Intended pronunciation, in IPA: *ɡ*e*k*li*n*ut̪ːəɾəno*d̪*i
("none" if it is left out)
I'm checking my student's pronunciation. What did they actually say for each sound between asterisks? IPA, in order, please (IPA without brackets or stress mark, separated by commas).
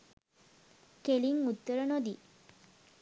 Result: k, none, ŋ, d̪